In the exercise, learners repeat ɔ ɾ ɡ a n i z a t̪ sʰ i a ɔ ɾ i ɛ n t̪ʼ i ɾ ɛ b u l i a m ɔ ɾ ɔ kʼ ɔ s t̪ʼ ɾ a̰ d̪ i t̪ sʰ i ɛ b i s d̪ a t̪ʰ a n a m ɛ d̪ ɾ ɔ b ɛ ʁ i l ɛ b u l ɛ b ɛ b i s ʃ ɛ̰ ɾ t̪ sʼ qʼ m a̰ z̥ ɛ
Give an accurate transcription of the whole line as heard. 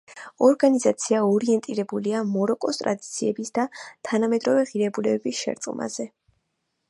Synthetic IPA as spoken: ɔ ɾ ɡ a n i z a t̪ sʰ i a ɔ ɾ i ɛ n t̪ʼ i ɾ ɛ b u l i a m ɔ ɾ ɔ kʼ ɔ s t̪ʼ ɾ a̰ d̪ i t̪ sʰ i ɛ b i s d̪ a t̪ʰ a n a m ɛ d̪ ɾ ɔ v ɛ ʁ i ɾ ɛ b u l ɛ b ɛ b i s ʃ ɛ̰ ɾ t̪ sʼ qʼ m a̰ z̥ ɛ